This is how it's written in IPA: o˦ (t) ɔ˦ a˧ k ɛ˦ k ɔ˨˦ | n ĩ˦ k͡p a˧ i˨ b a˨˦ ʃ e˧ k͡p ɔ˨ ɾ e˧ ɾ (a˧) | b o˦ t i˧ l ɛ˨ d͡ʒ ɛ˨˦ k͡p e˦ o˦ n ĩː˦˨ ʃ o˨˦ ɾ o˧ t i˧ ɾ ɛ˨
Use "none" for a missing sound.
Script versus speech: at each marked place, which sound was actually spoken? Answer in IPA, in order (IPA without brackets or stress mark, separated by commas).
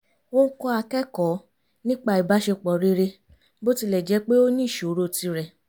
k, e˧